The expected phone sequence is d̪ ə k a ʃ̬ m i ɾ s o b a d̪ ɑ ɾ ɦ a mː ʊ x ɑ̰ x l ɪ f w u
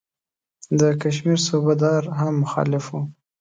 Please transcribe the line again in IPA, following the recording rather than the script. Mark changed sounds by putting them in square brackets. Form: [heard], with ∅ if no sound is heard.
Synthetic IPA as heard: d̪ ə k a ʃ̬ m i ɾ s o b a d̪ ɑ ɾ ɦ a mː ʊ x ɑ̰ [∅] l ɪ f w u